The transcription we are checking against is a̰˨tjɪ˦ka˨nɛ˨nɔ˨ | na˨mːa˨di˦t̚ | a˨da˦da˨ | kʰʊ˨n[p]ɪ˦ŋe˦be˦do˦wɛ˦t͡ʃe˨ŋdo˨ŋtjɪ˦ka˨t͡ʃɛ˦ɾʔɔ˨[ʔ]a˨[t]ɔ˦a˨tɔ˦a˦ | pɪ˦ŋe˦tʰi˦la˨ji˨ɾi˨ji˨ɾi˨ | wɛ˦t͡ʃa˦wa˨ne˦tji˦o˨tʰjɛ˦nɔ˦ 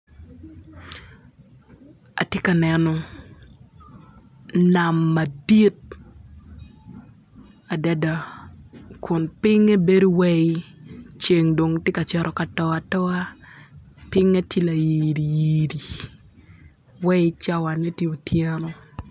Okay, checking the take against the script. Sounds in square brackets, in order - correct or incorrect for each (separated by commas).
correct, incorrect, correct